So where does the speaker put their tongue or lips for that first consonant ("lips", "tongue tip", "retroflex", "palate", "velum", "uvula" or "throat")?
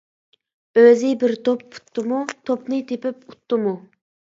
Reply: tongue tip